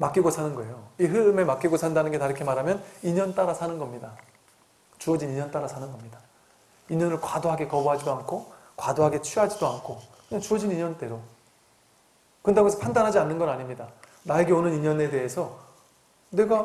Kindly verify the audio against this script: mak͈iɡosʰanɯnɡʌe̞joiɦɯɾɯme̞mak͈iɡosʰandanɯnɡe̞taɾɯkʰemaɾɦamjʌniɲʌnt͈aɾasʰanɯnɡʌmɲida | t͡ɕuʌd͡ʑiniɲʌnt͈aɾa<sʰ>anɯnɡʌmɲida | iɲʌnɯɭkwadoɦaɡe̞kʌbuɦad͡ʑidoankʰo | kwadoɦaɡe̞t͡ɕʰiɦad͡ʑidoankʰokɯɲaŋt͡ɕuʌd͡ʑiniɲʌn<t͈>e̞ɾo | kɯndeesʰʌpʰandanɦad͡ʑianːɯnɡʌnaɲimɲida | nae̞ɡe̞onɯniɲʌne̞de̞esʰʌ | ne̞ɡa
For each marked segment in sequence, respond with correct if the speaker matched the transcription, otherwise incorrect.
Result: correct, correct

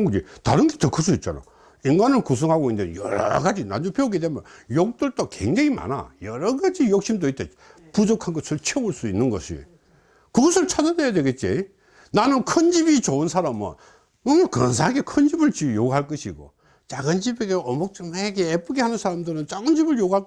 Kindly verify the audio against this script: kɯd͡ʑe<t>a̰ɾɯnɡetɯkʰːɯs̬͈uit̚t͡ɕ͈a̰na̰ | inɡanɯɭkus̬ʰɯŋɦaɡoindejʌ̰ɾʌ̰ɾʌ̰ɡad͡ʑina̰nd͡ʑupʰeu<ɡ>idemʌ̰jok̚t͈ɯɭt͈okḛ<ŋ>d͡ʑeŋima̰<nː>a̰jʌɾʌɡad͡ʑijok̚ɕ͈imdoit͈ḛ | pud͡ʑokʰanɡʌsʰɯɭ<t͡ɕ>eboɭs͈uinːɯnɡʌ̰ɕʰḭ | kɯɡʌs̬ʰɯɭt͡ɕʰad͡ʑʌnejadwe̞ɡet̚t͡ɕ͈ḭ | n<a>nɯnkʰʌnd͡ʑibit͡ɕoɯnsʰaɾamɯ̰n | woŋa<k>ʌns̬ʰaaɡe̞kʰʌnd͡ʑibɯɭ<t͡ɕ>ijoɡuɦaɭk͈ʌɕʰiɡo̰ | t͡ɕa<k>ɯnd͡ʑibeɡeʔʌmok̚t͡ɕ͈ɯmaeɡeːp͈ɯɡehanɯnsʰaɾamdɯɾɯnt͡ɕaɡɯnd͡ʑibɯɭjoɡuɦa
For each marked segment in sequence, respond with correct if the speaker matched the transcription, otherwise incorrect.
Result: correct, correct, correct, incorrect: n, incorrect: t͡ɕʰ, correct, correct, correct, incorrect: ɡ

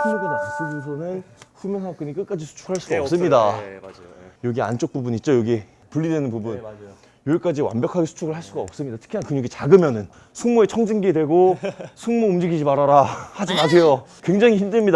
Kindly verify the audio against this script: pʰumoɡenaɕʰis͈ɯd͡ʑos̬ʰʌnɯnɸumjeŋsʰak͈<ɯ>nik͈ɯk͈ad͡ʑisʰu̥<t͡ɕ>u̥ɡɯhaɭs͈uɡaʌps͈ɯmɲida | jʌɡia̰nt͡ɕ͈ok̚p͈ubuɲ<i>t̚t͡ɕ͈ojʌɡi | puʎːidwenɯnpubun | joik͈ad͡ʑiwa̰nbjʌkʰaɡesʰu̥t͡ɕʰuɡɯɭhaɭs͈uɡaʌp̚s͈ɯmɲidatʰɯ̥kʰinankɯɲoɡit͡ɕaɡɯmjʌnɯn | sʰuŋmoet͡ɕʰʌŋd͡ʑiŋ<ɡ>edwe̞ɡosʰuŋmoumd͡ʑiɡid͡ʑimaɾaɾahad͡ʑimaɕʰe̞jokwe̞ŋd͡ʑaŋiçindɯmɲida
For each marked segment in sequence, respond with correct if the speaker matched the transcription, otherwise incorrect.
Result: correct, incorrect: t͡ɕʰ, correct, correct

